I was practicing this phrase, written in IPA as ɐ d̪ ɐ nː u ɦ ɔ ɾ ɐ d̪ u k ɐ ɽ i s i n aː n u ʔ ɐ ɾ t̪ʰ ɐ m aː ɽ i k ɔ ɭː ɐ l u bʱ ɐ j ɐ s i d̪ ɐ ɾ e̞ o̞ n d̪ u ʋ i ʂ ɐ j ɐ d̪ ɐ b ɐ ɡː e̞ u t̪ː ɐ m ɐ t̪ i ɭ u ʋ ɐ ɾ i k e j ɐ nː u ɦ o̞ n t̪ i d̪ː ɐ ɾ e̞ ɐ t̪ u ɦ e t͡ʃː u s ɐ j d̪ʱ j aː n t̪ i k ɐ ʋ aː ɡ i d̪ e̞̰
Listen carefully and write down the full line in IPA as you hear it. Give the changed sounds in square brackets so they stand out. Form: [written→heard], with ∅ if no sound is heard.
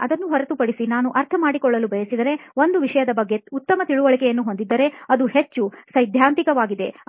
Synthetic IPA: ɐ d̪ ɐ nː u ɦ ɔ ɾ ɐ [d̪→t̪] u [k→p] ɐ ɽ i s i n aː n u ʔ ɐ ɾ t̪ʰ ɐ m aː ɽ i k ɔ ɭː ɐ l u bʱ ɐ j ɐ s i d̪ ɐ ɾ e̞ o̞ n d̪ u ʋ i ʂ ɐ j ɐ d̪ ɐ b ɐ ɡː e̞ u t̪ː ɐ m ɐ t̪ i ɭ u ʋ ɐ [ɾ→ɭ] i k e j ɐ nː u ɦ o̞ n [t̪→d̪] i d̪ː ɐ ɾ e̞ ɐ [t̪→d̪] u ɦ e t͡ʃː u s ɐ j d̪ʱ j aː n t̪ i k ɐ ʋ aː ɡ i d̪ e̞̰